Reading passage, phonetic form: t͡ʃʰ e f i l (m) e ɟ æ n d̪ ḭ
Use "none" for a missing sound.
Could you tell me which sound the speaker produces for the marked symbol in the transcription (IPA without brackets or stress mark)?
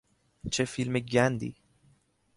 m